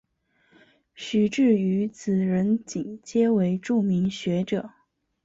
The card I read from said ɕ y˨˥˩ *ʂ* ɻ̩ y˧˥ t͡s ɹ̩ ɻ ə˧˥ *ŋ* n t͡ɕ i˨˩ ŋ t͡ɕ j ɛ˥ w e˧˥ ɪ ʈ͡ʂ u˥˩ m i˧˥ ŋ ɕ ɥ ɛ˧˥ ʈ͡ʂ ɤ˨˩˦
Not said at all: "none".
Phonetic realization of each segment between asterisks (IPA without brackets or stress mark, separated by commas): ʈ͡ʂ, none